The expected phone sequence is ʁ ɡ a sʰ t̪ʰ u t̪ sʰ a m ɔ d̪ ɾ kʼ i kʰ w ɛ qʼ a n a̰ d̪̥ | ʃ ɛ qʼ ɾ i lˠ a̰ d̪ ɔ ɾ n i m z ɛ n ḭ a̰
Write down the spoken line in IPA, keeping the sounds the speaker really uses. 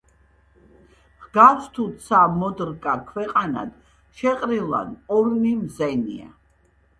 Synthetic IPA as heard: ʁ ɡ a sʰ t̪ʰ u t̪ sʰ a m ɔ d̪ ɾ kʼ a kʰ w ɛ qʼ a n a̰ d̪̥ | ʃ ɛ qʼ ɾ i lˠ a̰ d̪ ɔ ɾ n i m z ɛ n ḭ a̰